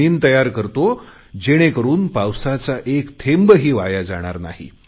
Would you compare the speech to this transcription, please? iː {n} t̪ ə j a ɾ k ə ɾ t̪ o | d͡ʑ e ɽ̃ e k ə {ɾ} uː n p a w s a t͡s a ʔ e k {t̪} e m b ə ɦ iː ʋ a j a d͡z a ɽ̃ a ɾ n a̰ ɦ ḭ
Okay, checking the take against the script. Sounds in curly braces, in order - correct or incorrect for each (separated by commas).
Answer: correct, correct, incorrect